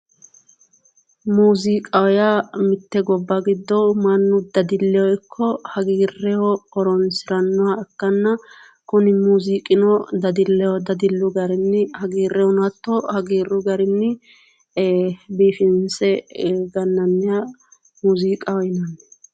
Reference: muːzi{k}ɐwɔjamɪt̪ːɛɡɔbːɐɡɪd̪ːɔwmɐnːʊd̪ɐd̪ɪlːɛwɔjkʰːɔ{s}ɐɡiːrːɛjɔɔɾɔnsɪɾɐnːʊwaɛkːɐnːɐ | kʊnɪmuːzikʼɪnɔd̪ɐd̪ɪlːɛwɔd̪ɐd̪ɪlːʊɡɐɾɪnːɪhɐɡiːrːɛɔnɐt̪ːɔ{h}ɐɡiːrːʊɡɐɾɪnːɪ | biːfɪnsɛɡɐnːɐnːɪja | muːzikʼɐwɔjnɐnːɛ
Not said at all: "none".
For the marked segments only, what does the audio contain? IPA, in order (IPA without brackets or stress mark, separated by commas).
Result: kʼ, h, h